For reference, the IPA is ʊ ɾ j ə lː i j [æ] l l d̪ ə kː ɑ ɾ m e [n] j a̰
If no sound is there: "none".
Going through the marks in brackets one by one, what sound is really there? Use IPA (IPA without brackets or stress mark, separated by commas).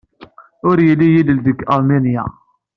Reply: i, n